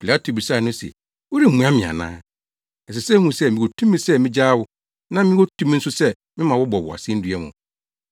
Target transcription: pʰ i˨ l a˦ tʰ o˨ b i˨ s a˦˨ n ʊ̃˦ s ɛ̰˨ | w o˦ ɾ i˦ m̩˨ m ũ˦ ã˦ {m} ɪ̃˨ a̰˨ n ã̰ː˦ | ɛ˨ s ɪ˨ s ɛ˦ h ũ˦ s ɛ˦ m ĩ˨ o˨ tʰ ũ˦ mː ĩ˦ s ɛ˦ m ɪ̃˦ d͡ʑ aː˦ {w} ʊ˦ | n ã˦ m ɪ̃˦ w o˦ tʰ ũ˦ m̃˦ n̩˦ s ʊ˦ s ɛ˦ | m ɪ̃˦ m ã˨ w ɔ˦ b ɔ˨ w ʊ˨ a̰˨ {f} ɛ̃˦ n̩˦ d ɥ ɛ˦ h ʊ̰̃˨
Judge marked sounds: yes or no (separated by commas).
yes, yes, no